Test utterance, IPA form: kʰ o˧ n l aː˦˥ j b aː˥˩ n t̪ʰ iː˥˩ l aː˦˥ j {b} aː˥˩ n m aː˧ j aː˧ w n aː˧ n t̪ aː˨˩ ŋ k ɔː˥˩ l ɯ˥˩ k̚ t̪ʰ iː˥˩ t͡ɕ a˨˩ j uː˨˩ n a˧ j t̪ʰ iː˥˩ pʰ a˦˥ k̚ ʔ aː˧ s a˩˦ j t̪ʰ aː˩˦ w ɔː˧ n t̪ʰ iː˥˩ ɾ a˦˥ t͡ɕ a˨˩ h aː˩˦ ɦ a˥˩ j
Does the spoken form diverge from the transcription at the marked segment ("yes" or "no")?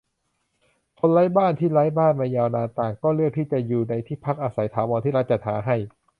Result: no